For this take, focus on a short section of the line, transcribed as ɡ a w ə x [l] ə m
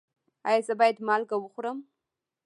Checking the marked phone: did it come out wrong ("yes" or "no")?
yes